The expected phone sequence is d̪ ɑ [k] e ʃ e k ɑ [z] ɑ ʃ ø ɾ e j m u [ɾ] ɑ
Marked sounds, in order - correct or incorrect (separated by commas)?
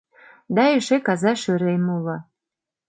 incorrect, correct, incorrect